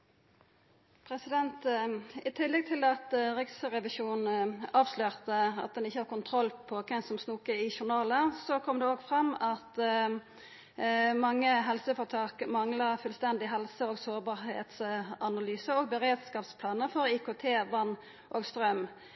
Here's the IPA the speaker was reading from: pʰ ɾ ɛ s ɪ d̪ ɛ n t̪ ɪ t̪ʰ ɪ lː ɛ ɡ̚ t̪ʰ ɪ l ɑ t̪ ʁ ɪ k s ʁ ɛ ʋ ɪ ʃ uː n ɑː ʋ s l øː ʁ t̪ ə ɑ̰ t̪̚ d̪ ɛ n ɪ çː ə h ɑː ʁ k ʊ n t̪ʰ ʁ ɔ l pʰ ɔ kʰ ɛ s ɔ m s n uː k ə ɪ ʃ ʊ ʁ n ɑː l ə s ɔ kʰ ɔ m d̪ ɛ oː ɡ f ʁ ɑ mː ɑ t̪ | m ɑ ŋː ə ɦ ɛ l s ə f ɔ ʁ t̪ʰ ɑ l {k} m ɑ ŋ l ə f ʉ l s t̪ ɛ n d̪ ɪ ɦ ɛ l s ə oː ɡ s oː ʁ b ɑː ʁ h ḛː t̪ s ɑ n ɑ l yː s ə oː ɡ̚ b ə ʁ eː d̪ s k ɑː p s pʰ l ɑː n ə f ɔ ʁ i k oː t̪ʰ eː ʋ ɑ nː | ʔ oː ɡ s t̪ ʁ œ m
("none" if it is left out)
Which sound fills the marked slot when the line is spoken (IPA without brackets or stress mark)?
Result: k